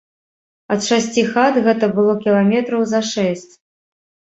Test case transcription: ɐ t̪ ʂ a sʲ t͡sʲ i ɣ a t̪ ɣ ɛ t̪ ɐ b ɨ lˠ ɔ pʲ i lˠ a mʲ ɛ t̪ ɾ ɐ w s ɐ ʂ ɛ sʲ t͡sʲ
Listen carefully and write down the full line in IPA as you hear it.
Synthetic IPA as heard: ɐ t̪ ʂ a sʲ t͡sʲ i x a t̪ ɣ ɛ t̪ ɐ b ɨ lˠ ɔ kʲ i lˠ a mʲ ɛ t̪ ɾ ɐ w z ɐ ʂ ɛ sʲ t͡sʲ